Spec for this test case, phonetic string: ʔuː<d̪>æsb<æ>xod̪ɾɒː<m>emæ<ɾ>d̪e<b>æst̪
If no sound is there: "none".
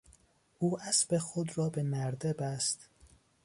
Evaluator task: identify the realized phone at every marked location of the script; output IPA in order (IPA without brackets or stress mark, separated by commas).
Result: none, e, b, ɾ, b